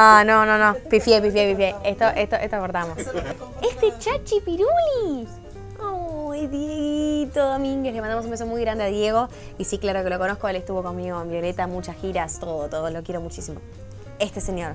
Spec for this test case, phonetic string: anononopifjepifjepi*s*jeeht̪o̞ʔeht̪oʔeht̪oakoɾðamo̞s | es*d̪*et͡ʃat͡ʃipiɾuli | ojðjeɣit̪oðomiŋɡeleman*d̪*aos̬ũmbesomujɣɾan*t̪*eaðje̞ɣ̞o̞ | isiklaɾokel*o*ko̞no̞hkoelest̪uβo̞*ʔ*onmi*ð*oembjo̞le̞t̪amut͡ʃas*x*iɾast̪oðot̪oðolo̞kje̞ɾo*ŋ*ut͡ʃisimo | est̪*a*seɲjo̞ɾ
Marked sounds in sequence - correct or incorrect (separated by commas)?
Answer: incorrect, incorrect, correct, incorrect, correct, incorrect, incorrect, correct, incorrect, incorrect